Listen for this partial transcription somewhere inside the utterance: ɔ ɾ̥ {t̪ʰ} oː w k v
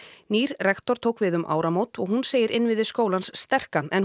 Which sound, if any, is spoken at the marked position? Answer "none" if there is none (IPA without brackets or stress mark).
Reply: t̪ʰ